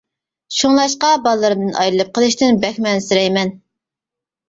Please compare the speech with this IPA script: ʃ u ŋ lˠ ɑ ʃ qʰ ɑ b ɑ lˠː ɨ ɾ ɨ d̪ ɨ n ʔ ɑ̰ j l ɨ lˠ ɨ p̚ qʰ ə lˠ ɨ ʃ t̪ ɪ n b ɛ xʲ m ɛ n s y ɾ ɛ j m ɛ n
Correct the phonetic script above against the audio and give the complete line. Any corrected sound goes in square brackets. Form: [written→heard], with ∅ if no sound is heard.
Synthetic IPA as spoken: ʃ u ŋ lˠ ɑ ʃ [qʰ→q] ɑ b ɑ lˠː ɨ ɾ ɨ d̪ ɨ n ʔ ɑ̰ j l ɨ lˠ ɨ p̚ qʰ ə lˠ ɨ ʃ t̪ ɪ n b ɛ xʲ m ɛ n s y ɾ ɛ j m ɛ n